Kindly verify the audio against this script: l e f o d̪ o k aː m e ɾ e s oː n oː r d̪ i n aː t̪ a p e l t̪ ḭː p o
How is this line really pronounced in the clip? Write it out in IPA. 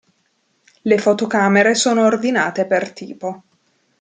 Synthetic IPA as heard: l e f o t̪ o k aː m e ɾ e s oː n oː r d̪ i n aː t̪ e p e r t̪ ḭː p o